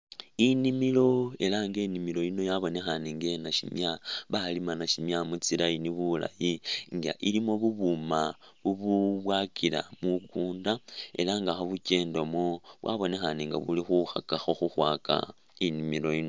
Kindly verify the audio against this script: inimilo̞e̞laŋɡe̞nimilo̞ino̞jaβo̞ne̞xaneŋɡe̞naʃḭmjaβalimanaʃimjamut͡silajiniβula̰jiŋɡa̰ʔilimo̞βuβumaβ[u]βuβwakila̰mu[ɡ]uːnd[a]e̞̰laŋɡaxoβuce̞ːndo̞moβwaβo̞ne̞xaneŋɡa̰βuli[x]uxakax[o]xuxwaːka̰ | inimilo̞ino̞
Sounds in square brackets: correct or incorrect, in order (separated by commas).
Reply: correct, incorrect, correct, correct, correct